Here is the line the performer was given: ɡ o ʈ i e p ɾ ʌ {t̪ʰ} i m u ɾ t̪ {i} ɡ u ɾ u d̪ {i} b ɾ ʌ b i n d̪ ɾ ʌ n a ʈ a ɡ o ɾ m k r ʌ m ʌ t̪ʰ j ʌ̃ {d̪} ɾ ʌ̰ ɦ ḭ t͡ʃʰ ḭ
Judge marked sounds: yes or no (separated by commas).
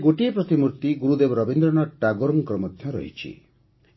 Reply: no, yes, no, no